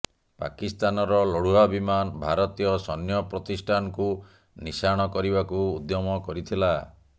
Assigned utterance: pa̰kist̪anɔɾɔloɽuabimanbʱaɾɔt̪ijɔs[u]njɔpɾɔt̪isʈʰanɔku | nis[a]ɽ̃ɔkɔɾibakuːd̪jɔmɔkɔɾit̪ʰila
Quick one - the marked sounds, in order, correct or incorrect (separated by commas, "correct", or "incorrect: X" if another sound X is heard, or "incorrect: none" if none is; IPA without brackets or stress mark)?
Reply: incorrect: ɔ, correct